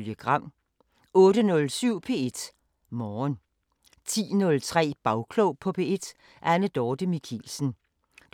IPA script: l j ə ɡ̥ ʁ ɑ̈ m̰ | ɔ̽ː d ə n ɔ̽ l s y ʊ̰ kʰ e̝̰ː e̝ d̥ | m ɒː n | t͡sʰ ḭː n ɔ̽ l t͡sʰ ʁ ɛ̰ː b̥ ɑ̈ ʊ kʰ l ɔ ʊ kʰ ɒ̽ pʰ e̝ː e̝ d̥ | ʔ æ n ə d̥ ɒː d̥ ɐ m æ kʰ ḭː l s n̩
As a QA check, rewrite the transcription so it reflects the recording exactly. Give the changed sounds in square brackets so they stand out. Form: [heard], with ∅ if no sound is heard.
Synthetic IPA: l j ə ɡ̥ ʁ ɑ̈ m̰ | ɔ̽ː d ə n ɔ̽ l s y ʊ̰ [pʰ] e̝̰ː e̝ d̥ | m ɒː n | t͡sʰ ḭː n ɔ̽ l t͡sʰ ʁ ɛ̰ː b̥ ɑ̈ ʊ kʰ l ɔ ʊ [pʰ] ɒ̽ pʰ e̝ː e̝ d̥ | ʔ æ n ə d̥ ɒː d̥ [ə] m [i] kʰ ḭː l s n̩

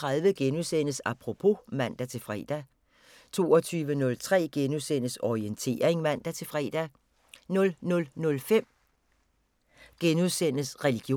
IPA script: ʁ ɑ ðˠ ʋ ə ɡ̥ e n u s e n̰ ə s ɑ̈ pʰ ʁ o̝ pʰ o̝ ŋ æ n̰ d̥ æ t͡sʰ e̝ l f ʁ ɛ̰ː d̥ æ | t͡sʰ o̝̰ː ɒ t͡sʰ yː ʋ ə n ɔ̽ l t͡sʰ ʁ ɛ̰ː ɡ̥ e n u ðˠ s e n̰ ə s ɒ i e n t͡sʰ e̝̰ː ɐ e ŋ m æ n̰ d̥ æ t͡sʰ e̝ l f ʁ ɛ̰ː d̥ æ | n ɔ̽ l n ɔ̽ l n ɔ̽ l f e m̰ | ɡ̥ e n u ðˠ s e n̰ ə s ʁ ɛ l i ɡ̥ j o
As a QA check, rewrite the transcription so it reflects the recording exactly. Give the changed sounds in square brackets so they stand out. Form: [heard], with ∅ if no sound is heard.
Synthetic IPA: ʁ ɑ ðˠ ʋ ə ɡ̥ e n u s e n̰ ə s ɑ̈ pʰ ʁ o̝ pʰ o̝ [m] æ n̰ d̥ æ t͡sʰ e̝ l f ʁ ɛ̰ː d̥ æ | t͡sʰ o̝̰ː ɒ t͡sʰ yː ʋ ə n ɔ̽ l t͡sʰ ʁ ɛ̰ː ɡ̥ e n u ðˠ s e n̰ ə s ɒ i e n t͡sʰ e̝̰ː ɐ e ŋ m æ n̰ d̥ æ t͡sʰ e̝ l f ʁ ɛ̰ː d̥ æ | n ɔ̽ l n ɔ̽ l n ɔ̽ l f e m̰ | ɡ̥ e n u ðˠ s e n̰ ə s ʁ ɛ l i ɡ̥ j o

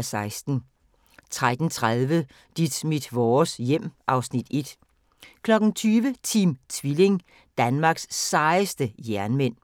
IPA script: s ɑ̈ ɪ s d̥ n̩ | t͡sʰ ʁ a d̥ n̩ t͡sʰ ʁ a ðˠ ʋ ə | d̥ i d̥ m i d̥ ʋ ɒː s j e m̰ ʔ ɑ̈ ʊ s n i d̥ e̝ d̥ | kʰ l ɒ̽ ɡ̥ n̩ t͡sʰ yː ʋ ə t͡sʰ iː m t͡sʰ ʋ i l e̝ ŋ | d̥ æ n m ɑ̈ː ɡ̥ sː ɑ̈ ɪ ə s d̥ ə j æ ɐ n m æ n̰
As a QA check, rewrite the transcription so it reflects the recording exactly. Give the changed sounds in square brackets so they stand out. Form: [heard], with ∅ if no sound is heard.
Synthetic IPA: s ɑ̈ ɪ s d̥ n̩ | t͡sʰ ʁ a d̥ n̩ t͡sʰ ʁ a ðˠ ʋ ə | d̥ i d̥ m i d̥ ʋ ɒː s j e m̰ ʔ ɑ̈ ʊ s n i d̥ e̝ d̥ | kʰ l ɒ̽ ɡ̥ n̩ t͡sʰ yː ʋ ə t͡sʰ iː m t͡sʰ ʋ i l e̝ ŋ | d̥ æ n m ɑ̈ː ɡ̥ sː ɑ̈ ɪ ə s d̥ ə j æ ɐ n m [e] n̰

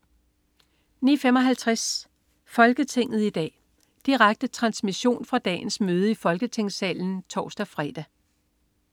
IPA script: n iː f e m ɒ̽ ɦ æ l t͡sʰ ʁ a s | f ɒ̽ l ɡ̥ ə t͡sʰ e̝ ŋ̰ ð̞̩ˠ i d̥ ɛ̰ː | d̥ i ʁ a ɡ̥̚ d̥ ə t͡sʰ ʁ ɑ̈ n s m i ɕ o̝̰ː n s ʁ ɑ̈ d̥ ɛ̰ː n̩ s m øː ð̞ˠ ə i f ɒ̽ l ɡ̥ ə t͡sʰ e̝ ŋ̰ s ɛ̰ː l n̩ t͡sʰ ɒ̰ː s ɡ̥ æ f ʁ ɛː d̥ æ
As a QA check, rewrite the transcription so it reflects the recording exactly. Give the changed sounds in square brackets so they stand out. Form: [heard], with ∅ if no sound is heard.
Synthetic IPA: n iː f e m ɒ̽ ɦ æ l t͡sʰ ʁ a s | f ɒ̽ l ɡ̥ ə t͡sʰ e̝ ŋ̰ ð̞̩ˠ i d̥ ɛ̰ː | d̥ i ʁ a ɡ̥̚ d̥ ə t͡sʰ ʁ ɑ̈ n s m i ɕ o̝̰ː n [f] ʁ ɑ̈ d̥ ɛ̰ː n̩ s m øː ð̞ˠ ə i f ɒ̽ l ɡ̥ ə t͡sʰ e̝ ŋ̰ s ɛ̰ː l n̩ t͡sʰ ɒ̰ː s [d̥] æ f ʁ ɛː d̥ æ

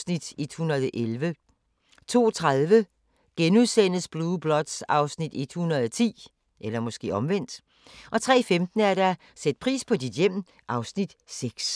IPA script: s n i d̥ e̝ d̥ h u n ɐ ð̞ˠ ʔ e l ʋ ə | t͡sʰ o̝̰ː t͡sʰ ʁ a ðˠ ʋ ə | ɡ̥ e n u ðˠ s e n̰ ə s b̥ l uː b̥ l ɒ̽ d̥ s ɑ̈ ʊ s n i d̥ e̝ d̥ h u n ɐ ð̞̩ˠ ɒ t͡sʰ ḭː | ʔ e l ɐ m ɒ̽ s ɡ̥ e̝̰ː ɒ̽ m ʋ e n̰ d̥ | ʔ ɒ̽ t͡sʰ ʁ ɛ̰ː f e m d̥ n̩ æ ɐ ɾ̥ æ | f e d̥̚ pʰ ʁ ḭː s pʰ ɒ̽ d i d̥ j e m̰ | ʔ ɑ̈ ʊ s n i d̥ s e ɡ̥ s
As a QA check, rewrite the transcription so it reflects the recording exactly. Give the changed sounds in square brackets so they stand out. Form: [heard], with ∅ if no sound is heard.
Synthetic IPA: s n i d̥ e̝ d̥ h u n ɐ ð̞ˠ ʔ e l ʋ ə | t͡sʰ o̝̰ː t͡sʰ ʁ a ðˠ ʋ ə | ɡ̥ e n u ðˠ s e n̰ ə s b̥ l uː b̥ l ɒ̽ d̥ s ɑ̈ ʊ s n i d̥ e̝ d̥ h u n ɐ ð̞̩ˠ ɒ t͡sʰ ḭː | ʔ e l ɐ m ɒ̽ s ɡ̥ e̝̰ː ɒ̽ m ʋ e n̰ d̥ | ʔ ɒ̽ t͡sʰ ʁ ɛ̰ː f e m d̥ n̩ æ ɐ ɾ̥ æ | [s] e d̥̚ pʰ ʁ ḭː s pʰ ɒ̽ d i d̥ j e m̰ | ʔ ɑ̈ ʊ s n i d̥ s e ɡ̥ s

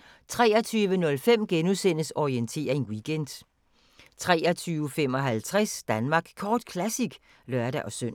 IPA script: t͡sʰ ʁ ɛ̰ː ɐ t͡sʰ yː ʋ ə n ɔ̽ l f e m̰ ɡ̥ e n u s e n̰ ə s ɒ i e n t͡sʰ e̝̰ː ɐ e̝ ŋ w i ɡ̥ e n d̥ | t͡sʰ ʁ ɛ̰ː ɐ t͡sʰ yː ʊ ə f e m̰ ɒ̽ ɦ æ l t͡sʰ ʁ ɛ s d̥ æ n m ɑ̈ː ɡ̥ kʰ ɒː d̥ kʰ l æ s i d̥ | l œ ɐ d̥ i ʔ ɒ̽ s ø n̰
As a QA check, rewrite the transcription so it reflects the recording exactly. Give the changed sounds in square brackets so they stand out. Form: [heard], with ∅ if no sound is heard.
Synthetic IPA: t͡sʰ ʁ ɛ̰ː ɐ t͡sʰ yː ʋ ə n ɔ̽ l f e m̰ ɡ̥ e n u s e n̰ ə s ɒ i e n t͡sʰ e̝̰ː ɐ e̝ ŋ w i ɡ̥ e n d̥ | t͡sʰ ʁ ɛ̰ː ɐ t͡sʰ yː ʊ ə f e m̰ ɒ̽ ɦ æ l t͡sʰ ʁ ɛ s d̥ æ n m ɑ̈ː ɡ̥ kʰ ɒː d̥ kʰ l æ s i [ɡ̥] | l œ ɐ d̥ [æ] ʔ ɒ̽ s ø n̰

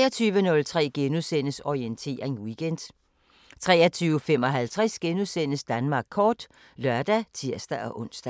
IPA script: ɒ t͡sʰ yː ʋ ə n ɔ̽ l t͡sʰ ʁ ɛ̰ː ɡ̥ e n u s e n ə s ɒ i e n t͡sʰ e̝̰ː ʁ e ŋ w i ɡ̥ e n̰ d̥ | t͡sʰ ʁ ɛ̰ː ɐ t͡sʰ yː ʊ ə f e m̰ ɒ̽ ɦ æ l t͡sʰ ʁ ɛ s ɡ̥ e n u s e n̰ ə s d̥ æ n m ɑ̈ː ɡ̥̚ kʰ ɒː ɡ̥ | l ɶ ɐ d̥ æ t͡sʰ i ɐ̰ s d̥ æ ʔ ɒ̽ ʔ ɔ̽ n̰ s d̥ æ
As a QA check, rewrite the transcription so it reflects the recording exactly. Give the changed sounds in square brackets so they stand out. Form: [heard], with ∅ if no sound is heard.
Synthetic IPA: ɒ t͡sʰ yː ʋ ə n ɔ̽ l t͡sʰ ʁ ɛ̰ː ɡ̥ e n u s e n ə s ɒ i e n t͡sʰ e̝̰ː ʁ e ŋ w i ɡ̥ e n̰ d̥ | t͡sʰ ʁ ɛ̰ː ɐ t͡sʰ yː ʊ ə f e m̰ ɒ̽ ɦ æ l t͡sʰ ʁ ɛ s ɡ̥ e n u s e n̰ ə s d̥ æ n m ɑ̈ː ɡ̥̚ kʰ ɒː [d̥] | l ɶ ɐ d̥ æ t͡sʰ i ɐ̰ s d̥ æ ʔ ɒ̽ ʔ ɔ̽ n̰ s d̥ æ

